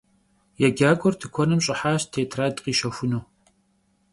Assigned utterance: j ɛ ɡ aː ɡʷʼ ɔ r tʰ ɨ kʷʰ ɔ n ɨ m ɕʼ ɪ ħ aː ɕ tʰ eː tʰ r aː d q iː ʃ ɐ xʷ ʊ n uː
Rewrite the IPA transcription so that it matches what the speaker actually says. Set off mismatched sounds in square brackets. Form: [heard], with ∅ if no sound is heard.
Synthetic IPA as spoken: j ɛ ɡ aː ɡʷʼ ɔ r tʰ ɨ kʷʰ ɔ n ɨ m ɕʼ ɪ ħ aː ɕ tʰ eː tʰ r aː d q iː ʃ ɐ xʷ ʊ n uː